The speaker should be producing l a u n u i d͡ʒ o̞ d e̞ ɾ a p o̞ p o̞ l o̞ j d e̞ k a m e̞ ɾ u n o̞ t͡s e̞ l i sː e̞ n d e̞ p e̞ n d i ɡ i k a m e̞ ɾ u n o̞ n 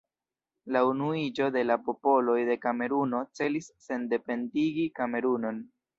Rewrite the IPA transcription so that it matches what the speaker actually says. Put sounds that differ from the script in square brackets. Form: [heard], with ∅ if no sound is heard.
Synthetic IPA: l a u n u i d͡ʒ o̞ d e̞ [l] a p o̞ p o̞ l o̞ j d e̞ k a m e̞ ɾ u n o̞ t͡s e̞ l i sː e̞ n d e̞ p e̞ n d i ɡ i k a m e̞ ɾ u n o̞ n